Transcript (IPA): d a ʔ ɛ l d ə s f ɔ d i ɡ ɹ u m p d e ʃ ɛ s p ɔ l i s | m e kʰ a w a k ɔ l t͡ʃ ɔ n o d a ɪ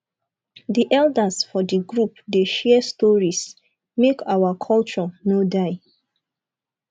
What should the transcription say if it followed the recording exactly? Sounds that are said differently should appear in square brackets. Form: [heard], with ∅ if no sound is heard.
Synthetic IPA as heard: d [i] ʔ ɛ l d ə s f ɔ d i ɡ ɹ u [∅] p d e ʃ ɛ s [t] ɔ [ɹ] i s | m e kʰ a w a [kʰ] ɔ l t͡ʃ ɔ n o d a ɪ